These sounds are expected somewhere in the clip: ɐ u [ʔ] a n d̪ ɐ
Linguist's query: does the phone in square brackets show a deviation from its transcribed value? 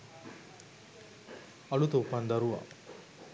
yes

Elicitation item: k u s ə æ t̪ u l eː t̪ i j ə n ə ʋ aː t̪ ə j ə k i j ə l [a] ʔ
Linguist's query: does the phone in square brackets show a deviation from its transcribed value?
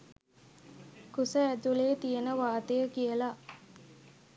no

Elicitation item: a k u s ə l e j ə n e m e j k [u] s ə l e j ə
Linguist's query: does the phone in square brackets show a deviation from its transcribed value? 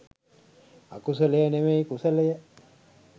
no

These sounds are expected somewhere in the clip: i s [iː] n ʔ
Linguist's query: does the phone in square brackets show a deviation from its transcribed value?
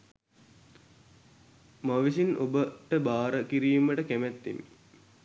yes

